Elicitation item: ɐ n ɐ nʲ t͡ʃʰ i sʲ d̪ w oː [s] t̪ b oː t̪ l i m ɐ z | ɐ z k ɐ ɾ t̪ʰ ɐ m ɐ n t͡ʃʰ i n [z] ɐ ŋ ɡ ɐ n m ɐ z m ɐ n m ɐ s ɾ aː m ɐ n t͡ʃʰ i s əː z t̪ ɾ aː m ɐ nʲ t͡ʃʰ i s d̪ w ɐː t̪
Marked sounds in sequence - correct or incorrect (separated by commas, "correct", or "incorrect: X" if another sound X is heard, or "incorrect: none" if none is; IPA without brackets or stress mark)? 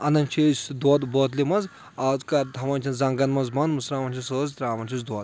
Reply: incorrect: none, correct